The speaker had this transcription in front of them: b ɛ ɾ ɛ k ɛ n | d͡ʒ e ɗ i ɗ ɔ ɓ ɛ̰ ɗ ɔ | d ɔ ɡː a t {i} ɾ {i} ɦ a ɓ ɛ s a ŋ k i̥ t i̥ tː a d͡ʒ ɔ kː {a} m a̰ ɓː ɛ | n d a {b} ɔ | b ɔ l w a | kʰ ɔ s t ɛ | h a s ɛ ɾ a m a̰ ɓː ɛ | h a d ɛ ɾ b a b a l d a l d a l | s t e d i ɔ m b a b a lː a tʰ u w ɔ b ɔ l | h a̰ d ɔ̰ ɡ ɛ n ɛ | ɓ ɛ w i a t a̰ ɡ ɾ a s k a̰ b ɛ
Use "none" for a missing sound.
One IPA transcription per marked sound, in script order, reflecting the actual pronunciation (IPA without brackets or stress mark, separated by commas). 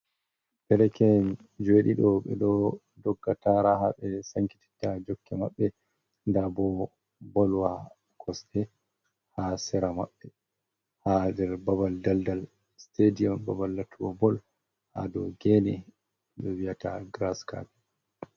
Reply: a, a, ɛ, b